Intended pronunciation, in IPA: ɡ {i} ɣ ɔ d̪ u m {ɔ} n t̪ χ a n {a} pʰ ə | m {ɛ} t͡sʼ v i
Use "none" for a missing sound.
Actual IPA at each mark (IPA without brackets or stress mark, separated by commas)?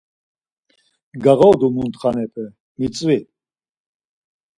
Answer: a, u, ɛ, i